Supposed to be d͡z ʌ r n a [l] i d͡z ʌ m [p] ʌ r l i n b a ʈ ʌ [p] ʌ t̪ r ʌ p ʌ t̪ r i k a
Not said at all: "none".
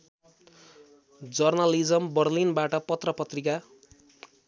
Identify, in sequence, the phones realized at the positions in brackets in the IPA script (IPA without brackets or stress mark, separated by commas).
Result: l, b, p